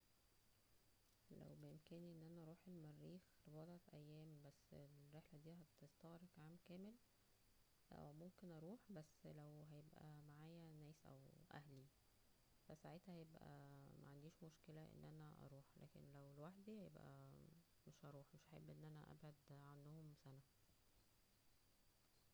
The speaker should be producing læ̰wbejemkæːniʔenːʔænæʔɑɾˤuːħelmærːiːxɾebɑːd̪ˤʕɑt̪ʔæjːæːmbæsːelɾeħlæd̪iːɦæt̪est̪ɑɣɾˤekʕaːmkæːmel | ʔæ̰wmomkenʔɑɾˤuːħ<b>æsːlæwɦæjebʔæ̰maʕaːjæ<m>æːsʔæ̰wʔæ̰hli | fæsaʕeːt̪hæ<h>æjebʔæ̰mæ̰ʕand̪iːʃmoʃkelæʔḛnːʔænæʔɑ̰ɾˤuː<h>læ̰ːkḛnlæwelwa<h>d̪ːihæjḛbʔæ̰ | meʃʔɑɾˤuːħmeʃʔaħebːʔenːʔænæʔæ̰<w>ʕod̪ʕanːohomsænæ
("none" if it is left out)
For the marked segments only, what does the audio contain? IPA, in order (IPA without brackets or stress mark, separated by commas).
b, n, h, ħ, ħ, b